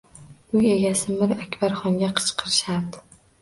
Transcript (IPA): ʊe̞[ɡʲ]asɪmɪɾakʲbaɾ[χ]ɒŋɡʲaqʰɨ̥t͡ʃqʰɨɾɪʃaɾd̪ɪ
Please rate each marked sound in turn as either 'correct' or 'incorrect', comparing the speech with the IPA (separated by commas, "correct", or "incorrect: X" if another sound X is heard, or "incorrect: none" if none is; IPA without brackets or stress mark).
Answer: correct, correct